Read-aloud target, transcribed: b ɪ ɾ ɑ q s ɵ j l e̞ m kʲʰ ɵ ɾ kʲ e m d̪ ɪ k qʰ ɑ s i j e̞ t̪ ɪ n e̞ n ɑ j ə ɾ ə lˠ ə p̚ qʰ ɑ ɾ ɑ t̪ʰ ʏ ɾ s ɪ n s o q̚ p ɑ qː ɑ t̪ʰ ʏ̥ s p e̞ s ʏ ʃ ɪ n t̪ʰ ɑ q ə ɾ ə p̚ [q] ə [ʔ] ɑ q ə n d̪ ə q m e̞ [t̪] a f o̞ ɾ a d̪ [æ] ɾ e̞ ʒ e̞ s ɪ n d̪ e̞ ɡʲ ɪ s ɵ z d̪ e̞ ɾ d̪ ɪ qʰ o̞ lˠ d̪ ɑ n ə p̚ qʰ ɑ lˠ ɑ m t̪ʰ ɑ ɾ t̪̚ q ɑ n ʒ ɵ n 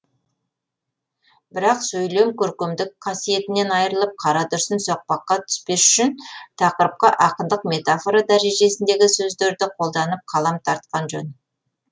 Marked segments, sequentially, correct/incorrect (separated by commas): correct, correct, correct, correct